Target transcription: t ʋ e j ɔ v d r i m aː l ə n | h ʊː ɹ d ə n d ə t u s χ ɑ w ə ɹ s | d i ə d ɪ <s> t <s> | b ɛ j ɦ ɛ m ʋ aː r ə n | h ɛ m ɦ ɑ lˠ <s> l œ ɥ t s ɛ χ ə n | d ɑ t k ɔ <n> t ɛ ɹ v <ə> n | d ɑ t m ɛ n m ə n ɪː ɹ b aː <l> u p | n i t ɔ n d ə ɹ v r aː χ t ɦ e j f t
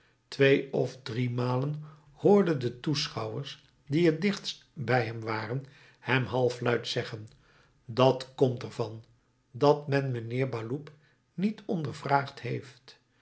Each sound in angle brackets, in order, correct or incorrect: incorrect: χ, correct, incorrect: f, incorrect: m, incorrect: ɑ, correct

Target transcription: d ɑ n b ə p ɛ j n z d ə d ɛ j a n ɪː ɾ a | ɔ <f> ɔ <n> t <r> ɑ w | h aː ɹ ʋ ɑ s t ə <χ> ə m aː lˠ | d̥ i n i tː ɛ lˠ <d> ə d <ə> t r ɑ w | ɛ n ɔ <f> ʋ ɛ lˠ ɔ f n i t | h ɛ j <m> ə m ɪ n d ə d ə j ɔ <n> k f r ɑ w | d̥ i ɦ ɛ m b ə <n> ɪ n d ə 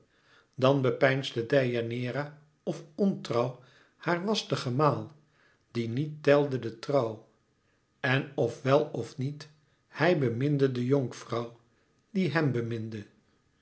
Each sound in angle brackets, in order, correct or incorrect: correct, correct, correct, correct, correct, correct, correct, incorrect: b, incorrect: ŋ, incorrect: m

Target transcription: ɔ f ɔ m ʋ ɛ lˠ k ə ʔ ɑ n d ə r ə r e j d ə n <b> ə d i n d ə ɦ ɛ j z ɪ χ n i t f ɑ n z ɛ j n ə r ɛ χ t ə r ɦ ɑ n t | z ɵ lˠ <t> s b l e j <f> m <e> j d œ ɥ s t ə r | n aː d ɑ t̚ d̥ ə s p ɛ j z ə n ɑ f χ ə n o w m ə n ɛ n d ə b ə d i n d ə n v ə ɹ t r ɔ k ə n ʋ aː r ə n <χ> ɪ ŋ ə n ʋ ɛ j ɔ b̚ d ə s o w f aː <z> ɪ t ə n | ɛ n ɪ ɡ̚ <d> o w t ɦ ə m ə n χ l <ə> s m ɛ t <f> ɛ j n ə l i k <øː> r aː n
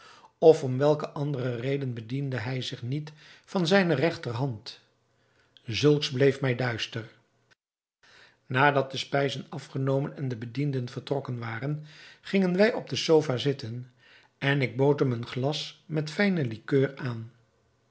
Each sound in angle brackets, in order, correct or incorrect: correct, incorrect: k, correct, incorrect: ɛ, correct, correct, incorrect: b, incorrect: ɑ, correct, correct

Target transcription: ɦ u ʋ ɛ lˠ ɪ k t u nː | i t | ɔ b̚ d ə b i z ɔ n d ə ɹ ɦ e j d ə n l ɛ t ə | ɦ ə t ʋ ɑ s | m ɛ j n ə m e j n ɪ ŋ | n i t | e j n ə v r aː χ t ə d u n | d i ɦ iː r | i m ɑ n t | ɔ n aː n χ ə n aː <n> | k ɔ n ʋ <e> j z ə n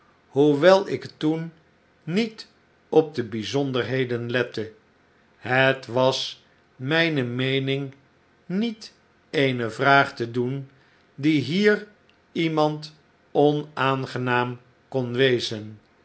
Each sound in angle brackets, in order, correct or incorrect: incorrect: m, correct

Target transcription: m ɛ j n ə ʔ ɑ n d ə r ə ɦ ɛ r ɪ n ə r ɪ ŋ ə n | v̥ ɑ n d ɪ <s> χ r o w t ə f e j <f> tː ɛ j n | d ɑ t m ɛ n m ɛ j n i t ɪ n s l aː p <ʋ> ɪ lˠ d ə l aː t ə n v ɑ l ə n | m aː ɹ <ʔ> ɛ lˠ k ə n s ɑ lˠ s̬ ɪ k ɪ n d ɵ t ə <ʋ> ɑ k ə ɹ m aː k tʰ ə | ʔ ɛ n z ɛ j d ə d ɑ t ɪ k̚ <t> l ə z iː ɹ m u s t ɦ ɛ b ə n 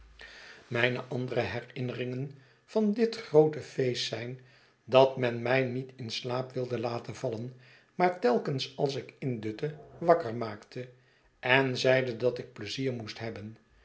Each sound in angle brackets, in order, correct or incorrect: incorrect: t, incorrect: s, correct, incorrect: t, correct, incorrect: p

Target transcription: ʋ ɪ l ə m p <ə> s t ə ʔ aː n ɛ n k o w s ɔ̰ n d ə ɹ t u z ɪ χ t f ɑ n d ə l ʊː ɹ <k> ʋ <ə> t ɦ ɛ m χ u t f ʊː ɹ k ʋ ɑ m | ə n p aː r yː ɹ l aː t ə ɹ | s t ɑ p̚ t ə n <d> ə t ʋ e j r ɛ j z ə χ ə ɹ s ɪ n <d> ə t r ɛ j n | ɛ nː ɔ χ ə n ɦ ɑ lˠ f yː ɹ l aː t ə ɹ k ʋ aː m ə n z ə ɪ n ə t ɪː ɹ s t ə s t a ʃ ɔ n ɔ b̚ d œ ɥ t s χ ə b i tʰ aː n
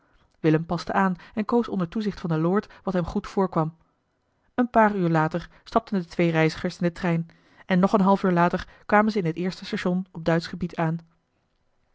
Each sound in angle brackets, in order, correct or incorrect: incorrect: ɑ, incorrect: t, incorrect: ɑ, correct, correct

